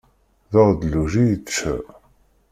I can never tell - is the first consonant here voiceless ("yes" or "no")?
no